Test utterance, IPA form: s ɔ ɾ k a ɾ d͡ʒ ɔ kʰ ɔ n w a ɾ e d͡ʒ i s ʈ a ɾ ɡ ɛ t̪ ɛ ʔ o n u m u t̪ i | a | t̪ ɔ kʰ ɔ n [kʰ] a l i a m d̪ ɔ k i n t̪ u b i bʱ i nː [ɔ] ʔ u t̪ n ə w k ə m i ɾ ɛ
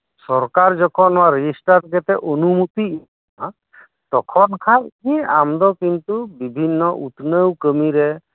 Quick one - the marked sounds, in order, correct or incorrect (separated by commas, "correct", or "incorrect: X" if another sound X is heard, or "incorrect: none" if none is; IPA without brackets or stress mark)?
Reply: correct, correct